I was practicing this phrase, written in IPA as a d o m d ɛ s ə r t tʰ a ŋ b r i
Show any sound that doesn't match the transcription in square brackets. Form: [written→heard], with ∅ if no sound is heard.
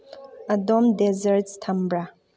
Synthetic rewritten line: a d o m d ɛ [s→z] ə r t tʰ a [ŋ→m] b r [i→a]

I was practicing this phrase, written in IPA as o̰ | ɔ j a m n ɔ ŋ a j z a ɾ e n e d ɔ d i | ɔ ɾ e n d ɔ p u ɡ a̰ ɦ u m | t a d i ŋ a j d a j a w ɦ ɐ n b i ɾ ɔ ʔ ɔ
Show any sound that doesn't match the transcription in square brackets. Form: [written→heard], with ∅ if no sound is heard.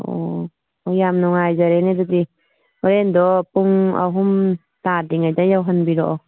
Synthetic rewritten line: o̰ | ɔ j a m n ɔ ŋ a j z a ɾ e n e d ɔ d i | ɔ ɾ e n d ɔ p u [ɡ→ŋ] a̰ ɦ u m | t a d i ŋ a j d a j a w ɦ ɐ n b i ɾ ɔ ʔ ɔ

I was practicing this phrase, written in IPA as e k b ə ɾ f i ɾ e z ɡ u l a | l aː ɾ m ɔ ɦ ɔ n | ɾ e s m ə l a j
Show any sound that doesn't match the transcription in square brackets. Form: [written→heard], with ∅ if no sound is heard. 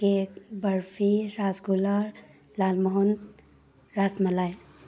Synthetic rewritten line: e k b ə ɾ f i ɾ [e→a] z ɡ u l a | l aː [ɾ→l] m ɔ ɦ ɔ n | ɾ [e→a] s m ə l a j

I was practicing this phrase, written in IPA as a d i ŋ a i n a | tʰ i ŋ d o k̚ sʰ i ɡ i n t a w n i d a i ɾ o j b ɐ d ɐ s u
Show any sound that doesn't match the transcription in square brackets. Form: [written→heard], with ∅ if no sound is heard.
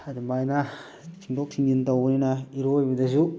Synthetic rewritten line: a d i [ŋ→m] a [i→j] n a | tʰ i ŋ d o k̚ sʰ i [ɡ→ŋ] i n t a w n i [d→n] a i ɾ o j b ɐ d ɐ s u

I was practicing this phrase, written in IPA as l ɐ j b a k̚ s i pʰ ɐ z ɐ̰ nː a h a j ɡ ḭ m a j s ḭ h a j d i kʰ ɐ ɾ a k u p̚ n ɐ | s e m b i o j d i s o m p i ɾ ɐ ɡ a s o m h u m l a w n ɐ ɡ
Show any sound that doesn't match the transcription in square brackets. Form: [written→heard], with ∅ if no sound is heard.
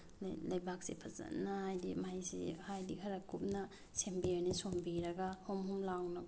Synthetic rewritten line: l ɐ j b a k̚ s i pʰ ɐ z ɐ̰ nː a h a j [ɡ→d] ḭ m a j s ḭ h a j d i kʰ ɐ ɾ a k u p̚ n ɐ | s e m b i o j [d→n] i s o m [p→b] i ɾ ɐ ɡ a [s→h] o m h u m l a w n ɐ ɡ

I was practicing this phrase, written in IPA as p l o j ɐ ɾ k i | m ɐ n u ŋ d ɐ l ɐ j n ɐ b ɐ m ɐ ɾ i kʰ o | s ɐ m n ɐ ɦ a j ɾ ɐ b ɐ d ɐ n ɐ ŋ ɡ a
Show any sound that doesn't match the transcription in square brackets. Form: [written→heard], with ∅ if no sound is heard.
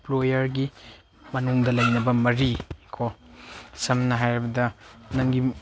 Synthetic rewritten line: p l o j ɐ ɾ [k→ɡ] i | m ɐ n u ŋ d ɐ l ɐ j n ɐ b ɐ m ɐ ɾ i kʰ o | s ɐ m n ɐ ɦ a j ɾ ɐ b ɐ d ɐ n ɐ ŋ ɡ [a→i]

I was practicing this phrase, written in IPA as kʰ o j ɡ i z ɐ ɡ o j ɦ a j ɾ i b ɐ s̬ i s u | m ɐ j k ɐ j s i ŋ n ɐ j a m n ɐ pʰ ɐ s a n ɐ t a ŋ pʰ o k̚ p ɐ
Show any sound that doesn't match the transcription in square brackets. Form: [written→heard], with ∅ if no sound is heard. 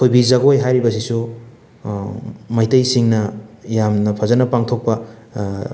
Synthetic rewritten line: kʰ o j [ɡ→b] i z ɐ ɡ o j ɦ a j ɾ i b ɐ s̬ i s u | m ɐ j [k→t] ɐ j s i ŋ n ɐ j a m n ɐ pʰ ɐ [s→z] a n ɐ [t→p] a ŋ [pʰ→tʰ] o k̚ p ɐ

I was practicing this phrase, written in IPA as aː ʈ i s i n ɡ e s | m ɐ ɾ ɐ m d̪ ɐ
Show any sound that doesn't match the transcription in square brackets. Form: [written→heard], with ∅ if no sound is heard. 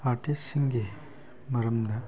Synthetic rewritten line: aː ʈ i s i [n→ŋ] ɡ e [s→∅] | m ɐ ɾ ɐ m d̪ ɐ

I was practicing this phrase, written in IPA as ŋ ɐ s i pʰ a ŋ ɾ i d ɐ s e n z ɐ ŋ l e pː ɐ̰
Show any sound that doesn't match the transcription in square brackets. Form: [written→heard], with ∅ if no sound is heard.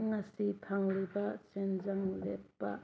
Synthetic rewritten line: ŋ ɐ s i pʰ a ŋ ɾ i [d→b] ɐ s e n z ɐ ŋ l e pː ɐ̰

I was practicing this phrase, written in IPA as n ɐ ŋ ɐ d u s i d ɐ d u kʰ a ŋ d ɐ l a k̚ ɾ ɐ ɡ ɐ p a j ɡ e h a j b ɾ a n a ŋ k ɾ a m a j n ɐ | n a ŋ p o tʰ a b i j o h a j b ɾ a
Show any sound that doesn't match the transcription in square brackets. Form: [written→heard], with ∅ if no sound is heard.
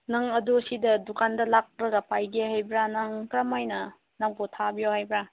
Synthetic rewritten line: n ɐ ŋ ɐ d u s i d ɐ d u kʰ a [ŋ→n] d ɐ l a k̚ ɾ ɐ ɡ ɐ p a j ɡ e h a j b ɾ a n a ŋ k ɾ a m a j n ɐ | n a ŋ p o tʰ a b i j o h a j b ɾ a

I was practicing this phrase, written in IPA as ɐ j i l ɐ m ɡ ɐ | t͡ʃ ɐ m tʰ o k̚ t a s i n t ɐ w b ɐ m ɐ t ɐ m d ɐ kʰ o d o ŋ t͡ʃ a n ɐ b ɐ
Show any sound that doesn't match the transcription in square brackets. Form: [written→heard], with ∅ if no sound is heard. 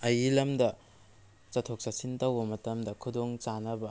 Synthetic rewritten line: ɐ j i l ɐ m [ɡ→d] ɐ | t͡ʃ ɐ [m→∅] tʰ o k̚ [t→s] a s i n t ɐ w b ɐ m ɐ t ɐ m d ɐ kʰ [o→u] d o ŋ t͡ʃ a n ɐ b ɐ

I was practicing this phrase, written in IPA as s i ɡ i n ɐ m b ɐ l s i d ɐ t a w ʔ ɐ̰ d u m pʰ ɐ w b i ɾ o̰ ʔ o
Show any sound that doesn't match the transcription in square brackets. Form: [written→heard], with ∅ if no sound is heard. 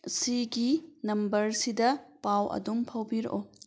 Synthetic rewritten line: s i ɡ i n ɐ m b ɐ [l→ɾ] s i d ɐ [t→p] a w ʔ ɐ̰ d u m pʰ ɐ w b i ɾ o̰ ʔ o

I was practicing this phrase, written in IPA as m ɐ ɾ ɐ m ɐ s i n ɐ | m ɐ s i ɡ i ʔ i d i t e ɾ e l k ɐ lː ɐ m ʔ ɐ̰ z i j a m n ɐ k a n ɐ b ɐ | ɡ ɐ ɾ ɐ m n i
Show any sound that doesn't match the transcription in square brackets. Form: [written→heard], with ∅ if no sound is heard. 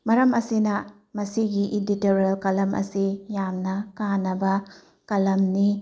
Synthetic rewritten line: m ɐ ɾ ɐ m ɐ s i n ɐ | m ɐ s i ɡ i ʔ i d i t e ɾ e l k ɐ [lː→l] ɐ m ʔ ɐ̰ [z→s] i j a m n ɐ k a n ɐ b ɐ | [ɡ→k] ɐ [ɾ→l] ɐ m n i

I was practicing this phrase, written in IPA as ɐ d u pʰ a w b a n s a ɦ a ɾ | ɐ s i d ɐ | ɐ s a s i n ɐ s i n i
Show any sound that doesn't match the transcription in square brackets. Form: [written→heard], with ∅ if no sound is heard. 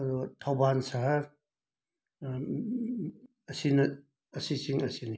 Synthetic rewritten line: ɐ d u [pʰ→tʰ] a w b a n s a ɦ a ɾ | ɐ s i [d→n] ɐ | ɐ s [a→i] s i [n→ŋ] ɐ s i n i

